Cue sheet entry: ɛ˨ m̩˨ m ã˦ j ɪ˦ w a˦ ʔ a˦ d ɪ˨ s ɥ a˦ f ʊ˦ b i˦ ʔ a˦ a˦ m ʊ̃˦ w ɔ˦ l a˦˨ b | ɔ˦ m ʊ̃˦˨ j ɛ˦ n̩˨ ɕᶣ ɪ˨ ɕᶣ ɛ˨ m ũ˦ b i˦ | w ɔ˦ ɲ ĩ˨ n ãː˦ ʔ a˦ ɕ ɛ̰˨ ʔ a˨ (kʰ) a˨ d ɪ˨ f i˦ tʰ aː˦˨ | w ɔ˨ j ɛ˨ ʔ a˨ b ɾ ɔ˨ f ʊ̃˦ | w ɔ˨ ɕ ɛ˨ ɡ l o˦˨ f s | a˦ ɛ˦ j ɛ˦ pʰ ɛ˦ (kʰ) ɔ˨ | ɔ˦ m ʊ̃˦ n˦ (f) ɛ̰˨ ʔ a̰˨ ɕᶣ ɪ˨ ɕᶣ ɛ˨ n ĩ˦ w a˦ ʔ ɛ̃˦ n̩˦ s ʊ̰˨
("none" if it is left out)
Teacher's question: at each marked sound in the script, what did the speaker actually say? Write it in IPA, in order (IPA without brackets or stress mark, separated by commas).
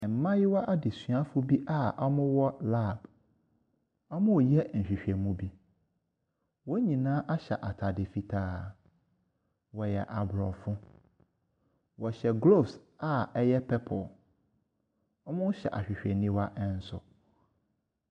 tʰ, pʰ, ɕ